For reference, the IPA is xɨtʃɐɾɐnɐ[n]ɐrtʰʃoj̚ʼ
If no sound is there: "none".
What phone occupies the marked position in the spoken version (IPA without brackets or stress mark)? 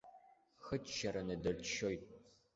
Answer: d